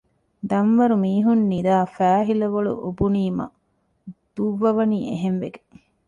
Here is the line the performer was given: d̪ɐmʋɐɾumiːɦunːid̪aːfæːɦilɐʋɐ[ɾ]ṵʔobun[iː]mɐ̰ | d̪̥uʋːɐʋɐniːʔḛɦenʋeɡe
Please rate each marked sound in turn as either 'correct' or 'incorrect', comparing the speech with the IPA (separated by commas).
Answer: incorrect, correct